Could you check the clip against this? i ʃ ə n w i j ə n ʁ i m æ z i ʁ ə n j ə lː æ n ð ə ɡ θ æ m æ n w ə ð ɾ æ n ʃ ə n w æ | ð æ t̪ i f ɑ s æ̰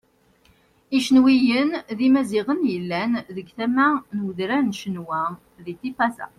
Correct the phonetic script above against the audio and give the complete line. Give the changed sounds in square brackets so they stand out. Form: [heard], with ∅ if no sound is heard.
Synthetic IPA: i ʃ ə n w i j ə n [ð] i m æ z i ʁ ə n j ə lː æ n ð ə ɡ θ æ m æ n w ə ð ɾ æ n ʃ ə n w æ | ð [i] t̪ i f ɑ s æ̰